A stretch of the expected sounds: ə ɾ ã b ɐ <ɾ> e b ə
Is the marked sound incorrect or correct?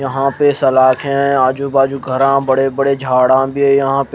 incorrect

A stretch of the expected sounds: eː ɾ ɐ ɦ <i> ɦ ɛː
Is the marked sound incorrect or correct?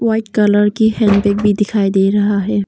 incorrect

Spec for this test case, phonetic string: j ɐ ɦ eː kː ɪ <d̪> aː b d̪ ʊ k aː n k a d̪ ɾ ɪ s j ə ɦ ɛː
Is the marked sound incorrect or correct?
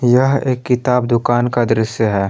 incorrect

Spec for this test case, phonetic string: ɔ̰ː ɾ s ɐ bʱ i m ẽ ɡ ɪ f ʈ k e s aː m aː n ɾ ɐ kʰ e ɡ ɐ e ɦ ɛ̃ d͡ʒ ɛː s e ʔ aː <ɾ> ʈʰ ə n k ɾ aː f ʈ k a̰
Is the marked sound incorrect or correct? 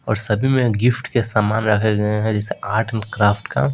correct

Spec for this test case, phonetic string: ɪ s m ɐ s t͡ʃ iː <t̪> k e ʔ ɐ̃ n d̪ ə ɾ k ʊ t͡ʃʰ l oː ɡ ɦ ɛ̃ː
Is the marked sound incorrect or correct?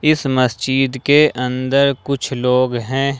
incorrect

